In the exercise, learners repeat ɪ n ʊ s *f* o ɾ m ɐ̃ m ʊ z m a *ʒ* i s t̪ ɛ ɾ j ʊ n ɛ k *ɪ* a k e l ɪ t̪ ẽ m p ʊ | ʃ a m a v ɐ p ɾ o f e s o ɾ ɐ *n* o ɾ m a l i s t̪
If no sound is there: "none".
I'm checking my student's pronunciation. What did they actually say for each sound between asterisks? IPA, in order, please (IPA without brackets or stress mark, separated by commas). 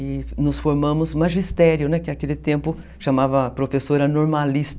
f, ʒ, ɪ, n